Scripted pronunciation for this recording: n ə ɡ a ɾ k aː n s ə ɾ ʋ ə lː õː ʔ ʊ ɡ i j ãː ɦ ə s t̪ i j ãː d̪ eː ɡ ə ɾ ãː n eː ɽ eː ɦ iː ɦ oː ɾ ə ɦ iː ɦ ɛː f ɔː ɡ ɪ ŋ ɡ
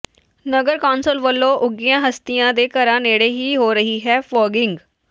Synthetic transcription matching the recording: n ə ɡ ə ɾ k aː n s ə l ʋ ə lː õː ʔ ʊ ɡ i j ãː ɦ ə s t̪ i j ãː d̪ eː k ə ɾ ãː n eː ɽ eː ɦ iː ɦ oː ɾ ə ɦ iː ɦ ɛː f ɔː ɡ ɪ ŋ ɡ